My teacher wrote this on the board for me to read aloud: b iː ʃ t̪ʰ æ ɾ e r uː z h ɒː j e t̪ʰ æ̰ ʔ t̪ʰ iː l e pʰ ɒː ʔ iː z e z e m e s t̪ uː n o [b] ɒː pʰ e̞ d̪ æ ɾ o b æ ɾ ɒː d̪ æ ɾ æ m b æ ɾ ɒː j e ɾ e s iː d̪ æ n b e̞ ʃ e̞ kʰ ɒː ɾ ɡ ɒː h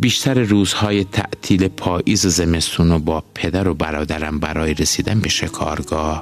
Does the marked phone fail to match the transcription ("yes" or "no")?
no